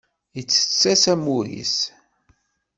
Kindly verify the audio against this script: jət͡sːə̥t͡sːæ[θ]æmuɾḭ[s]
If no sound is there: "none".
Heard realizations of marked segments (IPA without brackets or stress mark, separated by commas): s, s